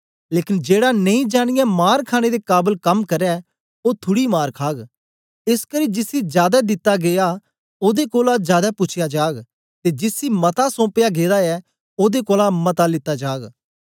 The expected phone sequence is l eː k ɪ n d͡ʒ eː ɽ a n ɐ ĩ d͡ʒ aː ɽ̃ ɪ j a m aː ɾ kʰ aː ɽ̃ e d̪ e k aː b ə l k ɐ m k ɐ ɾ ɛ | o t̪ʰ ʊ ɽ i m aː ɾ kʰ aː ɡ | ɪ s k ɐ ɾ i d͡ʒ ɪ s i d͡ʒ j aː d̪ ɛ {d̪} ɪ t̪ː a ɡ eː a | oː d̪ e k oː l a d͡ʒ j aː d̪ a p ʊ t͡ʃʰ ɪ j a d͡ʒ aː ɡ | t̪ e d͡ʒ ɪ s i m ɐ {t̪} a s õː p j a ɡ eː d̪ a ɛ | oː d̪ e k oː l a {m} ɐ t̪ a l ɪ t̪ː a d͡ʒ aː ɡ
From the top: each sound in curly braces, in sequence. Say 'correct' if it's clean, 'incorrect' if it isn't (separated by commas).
correct, correct, correct